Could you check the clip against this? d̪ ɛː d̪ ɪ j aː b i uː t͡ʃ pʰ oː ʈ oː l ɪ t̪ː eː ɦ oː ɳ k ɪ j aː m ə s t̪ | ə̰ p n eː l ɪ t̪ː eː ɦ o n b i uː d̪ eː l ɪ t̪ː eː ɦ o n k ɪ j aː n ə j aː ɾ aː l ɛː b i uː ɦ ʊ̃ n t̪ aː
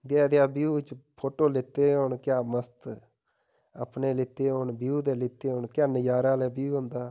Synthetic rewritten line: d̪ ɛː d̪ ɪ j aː b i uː t͡ʃ pʰ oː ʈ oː l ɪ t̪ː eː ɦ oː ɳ k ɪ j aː m ə s t̪ | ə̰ p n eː l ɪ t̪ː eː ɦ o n b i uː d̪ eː l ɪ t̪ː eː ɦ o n k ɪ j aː n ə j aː ɾ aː l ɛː b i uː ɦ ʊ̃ n d̪ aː

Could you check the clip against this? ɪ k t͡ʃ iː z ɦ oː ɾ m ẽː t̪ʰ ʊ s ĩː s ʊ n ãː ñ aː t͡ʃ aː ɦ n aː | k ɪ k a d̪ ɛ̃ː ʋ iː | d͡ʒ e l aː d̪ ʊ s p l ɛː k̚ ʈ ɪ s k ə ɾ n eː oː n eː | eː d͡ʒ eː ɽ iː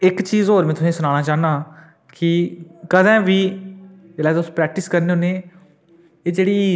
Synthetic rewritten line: ɪ k t͡ʃ iː z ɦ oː ɾ m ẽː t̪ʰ ʊ s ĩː s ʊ n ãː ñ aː t͡ʃ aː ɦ n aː | k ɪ k ə d̪ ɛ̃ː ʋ iː | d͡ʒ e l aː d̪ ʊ s p ɾ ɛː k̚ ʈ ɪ s k ə ɾ n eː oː n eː | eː d͡ʒ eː ɽ iː

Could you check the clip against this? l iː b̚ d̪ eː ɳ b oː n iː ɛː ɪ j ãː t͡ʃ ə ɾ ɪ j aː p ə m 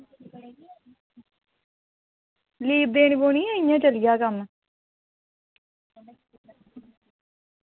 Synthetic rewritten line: l iː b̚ d̪ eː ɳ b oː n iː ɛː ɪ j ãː t͡ʃ ə l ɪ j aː k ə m

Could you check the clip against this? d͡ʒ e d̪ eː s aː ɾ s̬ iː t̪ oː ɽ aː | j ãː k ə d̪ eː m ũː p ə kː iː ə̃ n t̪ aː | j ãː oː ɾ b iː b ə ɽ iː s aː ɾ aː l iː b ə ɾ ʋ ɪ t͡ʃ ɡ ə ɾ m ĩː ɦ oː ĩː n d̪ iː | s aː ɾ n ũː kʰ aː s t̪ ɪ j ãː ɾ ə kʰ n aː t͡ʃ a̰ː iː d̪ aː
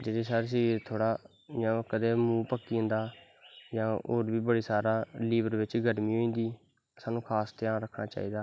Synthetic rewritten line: d͡ʒ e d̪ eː s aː ɾ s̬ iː t̪ʰ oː ɽ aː | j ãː k ə d̪ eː m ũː p ə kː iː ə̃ n d̪ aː | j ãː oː ɾ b iː b ə ɽ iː s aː ɾ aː l iː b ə ɾ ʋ ɪ t͡ʃ ɡ ə ɾ m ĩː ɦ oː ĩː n d̪ iː | s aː n ũː kʰ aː s t̪ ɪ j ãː ɾ ə kʰ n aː t͡ʃ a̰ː iː d̪ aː

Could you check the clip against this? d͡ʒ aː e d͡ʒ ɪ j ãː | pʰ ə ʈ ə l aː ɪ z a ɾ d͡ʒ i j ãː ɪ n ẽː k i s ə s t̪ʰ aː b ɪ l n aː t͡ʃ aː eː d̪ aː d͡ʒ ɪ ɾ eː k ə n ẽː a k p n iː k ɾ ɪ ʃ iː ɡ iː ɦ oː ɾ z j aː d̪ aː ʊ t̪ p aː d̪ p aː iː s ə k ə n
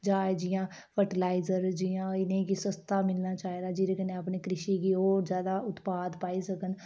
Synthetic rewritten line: d͡ʒ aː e d͡ʒ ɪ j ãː | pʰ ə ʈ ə l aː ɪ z ə ɾ d͡ʒ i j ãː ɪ n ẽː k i s ə s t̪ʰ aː m ɪ l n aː t͡ʃ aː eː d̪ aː d͡ʒ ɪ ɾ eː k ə n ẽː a p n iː k ɾ ɪ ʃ iː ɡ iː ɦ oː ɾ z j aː d̪ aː ʊ t̪ p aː d̪ p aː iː s ə k ə n

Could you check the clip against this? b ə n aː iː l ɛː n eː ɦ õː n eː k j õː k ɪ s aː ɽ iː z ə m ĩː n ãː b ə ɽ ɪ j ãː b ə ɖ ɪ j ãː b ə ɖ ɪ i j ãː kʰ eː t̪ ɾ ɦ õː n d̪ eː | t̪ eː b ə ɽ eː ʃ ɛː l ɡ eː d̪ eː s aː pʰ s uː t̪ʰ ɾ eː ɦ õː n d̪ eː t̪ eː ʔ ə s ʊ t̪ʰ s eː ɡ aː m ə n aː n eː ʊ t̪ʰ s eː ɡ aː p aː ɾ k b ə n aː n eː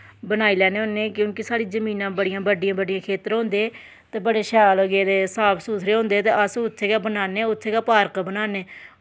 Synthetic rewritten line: b ə n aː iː l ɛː n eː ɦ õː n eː k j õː k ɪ s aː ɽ iː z ə m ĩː n ãː b ə ɽ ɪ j ãː b ə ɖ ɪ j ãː b ə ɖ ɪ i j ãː kʰ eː t̪ ɾ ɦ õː n d̪ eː | t̪ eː b ə ɽ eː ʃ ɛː l ɡ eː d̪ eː s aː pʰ s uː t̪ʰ ɾ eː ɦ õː n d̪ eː t̪ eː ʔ ə s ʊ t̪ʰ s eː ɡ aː b ə n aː n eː ʊ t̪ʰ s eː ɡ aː p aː ɾ k b ə n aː n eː

